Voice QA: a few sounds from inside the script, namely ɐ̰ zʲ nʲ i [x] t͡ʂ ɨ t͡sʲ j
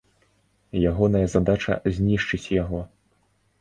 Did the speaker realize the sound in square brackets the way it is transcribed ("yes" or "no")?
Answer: no